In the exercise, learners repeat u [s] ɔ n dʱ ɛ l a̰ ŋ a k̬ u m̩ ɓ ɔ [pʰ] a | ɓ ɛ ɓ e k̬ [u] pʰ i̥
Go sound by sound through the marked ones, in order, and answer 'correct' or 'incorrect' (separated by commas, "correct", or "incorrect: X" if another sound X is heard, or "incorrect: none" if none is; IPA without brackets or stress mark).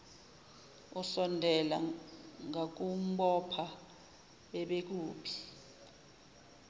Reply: correct, correct, incorrect: uː